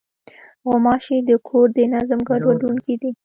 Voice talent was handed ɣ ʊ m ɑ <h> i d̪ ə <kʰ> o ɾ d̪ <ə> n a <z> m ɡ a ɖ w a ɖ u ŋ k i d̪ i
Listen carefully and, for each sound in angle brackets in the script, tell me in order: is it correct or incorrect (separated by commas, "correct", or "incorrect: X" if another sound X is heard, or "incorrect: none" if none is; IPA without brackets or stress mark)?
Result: incorrect: ʃ, correct, correct, correct